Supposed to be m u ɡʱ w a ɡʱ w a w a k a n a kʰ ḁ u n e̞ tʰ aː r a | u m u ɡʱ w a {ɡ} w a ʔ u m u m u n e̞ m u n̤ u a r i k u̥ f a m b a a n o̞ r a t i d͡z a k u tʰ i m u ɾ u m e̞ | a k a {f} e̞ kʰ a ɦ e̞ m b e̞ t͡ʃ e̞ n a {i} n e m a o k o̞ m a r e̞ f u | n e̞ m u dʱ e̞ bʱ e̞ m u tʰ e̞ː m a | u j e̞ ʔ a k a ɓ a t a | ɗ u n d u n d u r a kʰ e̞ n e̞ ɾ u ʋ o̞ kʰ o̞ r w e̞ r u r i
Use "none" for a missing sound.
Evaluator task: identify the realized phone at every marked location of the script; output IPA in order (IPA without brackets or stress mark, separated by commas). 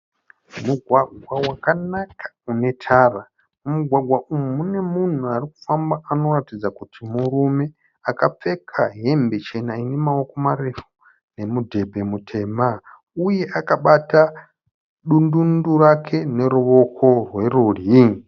ɡ, p͡f, i